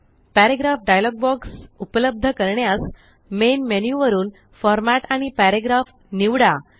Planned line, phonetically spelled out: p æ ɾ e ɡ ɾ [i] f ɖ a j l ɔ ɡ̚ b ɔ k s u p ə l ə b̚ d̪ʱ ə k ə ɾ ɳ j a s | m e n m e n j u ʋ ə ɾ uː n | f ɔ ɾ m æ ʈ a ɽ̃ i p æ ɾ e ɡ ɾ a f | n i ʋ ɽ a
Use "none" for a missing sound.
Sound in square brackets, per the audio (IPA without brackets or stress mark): a